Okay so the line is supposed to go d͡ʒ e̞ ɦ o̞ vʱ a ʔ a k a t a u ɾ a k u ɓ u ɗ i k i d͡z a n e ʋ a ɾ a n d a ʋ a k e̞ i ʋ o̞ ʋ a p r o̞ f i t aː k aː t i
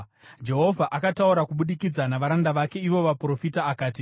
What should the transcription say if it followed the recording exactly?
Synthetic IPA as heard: d͡ʒ e̞ ɦ o̞ vʱ a ʔ a k a t a u ɾ a k u ɓ u ɗ i k i d͡z a n a ʋ a ɾ a n d a ʋ a k e̞ i ʋ o̞ ʋ a p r o̞ f i t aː k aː t i